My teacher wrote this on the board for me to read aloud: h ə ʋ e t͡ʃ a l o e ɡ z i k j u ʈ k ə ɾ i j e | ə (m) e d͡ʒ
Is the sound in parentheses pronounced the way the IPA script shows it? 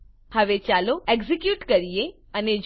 no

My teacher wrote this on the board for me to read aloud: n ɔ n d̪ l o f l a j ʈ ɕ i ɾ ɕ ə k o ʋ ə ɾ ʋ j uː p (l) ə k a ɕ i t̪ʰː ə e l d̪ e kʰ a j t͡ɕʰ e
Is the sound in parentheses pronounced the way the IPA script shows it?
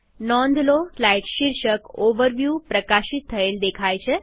no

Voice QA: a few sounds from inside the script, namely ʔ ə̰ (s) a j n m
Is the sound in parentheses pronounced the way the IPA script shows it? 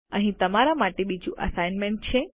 yes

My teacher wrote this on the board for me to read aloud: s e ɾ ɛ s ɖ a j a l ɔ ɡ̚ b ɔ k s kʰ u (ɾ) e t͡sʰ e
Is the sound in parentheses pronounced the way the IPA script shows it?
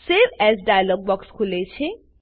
no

